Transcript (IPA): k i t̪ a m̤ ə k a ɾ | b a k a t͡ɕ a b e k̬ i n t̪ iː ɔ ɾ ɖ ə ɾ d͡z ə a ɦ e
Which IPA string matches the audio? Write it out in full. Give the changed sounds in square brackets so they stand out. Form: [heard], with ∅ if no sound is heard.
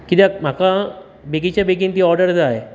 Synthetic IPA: k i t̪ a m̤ [a] k a [∅] | b [e] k [i] t͡ɕ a b e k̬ i n t̪ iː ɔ ɾ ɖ ə ɾ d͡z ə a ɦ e